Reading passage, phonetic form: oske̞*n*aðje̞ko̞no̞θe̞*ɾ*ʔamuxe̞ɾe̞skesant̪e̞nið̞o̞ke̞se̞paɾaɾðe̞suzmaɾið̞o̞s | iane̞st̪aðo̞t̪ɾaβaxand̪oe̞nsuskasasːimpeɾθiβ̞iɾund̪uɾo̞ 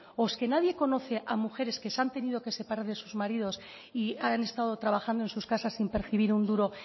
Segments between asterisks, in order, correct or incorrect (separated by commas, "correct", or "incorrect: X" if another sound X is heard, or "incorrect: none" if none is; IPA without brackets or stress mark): correct, incorrect: none